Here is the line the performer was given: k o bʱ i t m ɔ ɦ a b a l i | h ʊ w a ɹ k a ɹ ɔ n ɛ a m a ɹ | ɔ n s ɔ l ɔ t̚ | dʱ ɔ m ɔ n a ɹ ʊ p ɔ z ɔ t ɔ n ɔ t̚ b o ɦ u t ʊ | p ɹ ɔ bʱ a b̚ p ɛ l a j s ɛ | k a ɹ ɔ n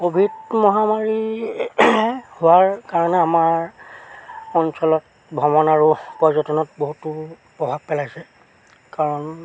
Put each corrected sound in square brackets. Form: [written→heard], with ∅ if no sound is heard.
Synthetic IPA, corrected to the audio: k o bʱ i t m ɔ ɦ a [b→m] a [l→ɹ] i | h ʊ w a ɹ k a ɹ ɔ n ɛ a m a ɹ | ɔ n s ɔ l ɔ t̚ | [dʱ→bʱ] ɔ m ɔ n a ɹ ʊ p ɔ z ɔ t ɔ n ɔ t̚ b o ɦ u t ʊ | p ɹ ɔ bʱ a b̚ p ɛ l a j s ɛ | k a ɹ ɔ n